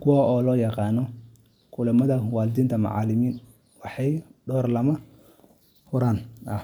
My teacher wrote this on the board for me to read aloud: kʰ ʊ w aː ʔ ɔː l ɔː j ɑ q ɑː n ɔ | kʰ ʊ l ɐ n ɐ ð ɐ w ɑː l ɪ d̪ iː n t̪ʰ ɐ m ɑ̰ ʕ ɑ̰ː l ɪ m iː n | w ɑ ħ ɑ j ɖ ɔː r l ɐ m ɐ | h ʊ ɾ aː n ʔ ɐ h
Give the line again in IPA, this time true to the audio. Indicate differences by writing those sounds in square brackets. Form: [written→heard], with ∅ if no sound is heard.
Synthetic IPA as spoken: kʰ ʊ w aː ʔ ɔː l ɔː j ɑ q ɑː n ɔ | kʰ ʊ l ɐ [n→m] ɐ ð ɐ w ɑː l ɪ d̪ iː n t̪ʰ ɐ m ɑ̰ ʕ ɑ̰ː l ɪ m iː n | w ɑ ħ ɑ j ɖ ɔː r l ɐ m ɐ | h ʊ ɾ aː n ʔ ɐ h

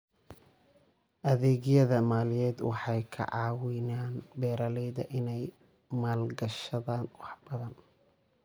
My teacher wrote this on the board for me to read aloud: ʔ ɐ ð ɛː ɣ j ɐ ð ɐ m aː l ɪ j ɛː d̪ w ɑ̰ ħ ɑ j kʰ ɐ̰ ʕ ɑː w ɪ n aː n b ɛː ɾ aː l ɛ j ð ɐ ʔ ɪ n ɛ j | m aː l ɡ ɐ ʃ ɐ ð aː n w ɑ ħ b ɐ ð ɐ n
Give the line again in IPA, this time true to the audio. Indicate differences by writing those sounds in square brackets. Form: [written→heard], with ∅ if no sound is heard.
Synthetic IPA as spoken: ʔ ɐ ð ɛː ɣ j ɐ ð ɐ m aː l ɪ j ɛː d̪ w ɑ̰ ħ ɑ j kʰ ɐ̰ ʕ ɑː w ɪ n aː n b ɛː ɾ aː l ɛ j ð ɐ ʔ ɪ n ɛ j | m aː l ɡ ɐ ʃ ɐ ð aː n w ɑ ħ b ɐ ð ɐ n

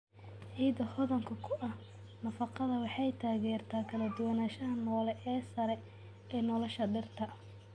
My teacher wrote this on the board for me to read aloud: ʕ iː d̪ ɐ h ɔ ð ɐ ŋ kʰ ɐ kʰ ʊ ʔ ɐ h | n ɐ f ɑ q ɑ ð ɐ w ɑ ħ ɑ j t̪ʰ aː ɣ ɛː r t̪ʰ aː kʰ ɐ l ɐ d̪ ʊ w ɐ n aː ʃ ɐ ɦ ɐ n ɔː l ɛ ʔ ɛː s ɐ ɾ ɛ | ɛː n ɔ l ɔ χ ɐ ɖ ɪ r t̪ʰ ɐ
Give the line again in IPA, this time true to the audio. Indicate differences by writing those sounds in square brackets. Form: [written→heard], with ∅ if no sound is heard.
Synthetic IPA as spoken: ʕ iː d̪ ɐ h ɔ ð ɐ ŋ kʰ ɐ kʰ ʊ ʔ ɐ h | n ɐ f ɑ q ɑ ð ɐ w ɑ ħ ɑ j t̪ʰ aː ɣ ɛː r t̪ʰ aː kʰ ɐ l ɐ d̪ ʊ w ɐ n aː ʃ ɐ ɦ ɐ n ɔː l ɛ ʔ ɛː s ɐ ɾ ɛ | ɛː n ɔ l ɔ [χ→ʃ] ɐ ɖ ɪ r t̪ʰ ɐ

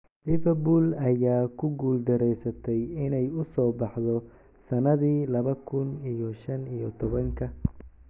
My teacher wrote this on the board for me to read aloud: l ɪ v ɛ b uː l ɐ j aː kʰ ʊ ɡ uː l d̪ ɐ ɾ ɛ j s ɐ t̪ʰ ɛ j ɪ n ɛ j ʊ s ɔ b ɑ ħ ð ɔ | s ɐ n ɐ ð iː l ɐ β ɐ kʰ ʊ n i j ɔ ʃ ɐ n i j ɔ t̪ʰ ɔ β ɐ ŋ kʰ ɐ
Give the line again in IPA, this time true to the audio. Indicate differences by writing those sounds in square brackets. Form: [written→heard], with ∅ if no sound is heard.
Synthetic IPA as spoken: l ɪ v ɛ b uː l ɐ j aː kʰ ʊ ɡ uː l d̪ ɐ ɾ ɛ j s ɐ t̪ʰ ɛ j ɪ n ɛ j ʊ s [ɔ→ɔː] b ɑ ħ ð ɔ | s ɐ n ɐ ð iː l ɐ β ɐ kʰ ʊ n i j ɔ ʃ ɐ n i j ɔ t̪ʰ ɔ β ɐ ŋ kʰ ɐ

